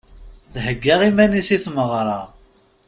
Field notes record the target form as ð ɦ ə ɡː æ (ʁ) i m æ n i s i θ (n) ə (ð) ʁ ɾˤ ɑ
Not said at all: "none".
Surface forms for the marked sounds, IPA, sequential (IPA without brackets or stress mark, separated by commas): ʁ, m, none